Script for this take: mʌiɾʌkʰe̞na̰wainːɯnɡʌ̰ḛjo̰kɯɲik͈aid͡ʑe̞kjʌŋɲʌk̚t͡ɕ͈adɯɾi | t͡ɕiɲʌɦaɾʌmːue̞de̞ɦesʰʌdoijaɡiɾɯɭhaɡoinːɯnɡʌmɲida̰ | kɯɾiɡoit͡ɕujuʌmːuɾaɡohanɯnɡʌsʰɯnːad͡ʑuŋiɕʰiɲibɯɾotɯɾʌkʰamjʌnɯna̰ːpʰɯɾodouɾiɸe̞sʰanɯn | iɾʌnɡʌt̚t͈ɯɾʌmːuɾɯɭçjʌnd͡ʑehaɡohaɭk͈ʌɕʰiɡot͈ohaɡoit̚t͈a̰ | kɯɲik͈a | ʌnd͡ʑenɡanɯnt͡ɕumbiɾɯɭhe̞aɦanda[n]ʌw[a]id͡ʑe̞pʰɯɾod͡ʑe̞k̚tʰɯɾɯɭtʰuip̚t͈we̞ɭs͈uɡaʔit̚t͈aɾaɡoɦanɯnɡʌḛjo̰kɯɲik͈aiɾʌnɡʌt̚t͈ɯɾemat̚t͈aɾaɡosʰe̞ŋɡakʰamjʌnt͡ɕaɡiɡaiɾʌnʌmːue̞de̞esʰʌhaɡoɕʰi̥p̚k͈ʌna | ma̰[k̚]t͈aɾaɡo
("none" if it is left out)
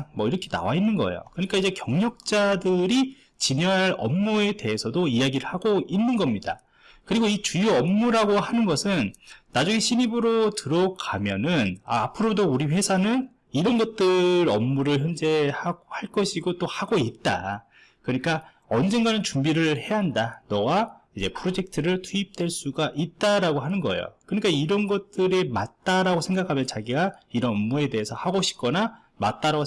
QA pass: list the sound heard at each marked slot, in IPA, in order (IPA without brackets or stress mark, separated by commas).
n, a, t̚